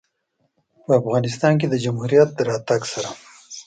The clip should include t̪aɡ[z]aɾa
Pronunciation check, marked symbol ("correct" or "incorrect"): incorrect